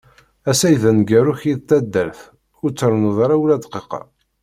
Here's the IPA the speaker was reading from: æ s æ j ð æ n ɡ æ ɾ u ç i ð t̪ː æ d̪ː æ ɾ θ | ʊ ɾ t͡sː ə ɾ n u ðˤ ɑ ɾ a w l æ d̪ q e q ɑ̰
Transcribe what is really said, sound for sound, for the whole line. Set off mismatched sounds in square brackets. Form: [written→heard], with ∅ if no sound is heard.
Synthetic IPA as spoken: æ s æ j ð æ n ɡ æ ɾ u ç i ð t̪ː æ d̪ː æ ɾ θ | ʊ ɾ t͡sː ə ɾ n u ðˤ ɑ ɾ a w l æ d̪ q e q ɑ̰